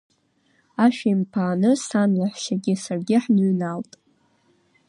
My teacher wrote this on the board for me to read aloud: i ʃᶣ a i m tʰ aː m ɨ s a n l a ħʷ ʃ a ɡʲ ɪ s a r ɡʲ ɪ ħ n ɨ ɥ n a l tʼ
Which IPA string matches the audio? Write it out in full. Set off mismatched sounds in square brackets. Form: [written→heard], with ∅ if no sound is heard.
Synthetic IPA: [i→a] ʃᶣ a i m [tʰ→pʰ] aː [m→n] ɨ s a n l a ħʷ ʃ a ɡʲ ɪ s a r ɡʲ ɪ ħ n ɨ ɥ n a l tʼ